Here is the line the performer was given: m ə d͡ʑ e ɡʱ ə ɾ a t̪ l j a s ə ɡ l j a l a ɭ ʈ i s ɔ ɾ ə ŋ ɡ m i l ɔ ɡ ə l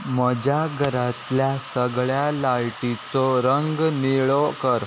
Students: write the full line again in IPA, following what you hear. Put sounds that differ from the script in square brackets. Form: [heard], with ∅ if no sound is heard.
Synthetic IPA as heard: m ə d͡ʑ [a] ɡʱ ə ɾ a t̪ l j a s ə ɡ [ɭ] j a l a ɭ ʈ i [t͡s] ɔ ɾ ə ŋ ɡ [n] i [ɭ] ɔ [k] ə [ɾ]